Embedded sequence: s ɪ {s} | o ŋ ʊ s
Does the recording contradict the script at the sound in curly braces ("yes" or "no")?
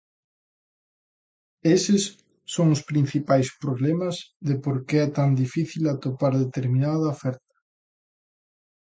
yes